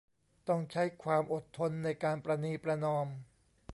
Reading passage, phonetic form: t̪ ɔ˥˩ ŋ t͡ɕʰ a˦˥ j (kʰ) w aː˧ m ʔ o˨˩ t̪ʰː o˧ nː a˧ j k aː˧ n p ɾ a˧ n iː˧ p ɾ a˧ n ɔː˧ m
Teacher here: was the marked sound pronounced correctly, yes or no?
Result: yes